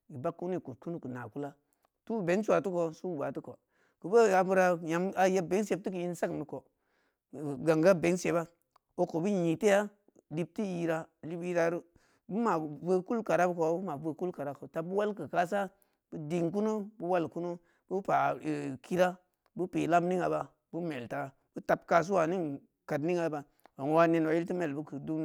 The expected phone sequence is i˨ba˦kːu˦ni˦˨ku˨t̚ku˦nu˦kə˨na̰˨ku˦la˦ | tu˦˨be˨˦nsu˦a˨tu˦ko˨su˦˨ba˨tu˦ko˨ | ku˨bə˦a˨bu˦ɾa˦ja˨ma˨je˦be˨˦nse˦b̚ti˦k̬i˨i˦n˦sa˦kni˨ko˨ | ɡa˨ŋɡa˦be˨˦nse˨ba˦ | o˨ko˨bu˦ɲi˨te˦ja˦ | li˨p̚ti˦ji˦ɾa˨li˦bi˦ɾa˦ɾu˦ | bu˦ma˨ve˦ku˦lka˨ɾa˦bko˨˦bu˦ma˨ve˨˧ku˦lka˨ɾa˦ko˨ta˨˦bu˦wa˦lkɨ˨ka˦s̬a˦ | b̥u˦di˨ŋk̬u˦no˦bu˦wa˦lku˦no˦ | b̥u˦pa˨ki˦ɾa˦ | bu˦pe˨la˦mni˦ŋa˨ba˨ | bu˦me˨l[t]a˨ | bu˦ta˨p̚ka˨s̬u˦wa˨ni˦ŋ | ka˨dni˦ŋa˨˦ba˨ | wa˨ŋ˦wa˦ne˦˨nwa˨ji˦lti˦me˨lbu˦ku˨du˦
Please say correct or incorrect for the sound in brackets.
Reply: correct